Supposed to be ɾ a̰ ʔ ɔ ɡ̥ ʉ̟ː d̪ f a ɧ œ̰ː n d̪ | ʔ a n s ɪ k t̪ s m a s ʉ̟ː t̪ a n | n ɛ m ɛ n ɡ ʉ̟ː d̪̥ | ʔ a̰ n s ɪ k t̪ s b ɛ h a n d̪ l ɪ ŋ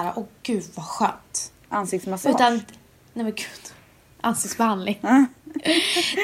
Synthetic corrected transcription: ɾ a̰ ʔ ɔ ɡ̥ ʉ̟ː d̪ v a ɧ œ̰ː n t̪ | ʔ a n s ɪ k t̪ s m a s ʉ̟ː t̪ a n | n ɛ m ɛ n ɡ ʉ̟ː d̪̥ | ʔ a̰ n s ɪ k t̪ s b ɛ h a n d̪ l ɪ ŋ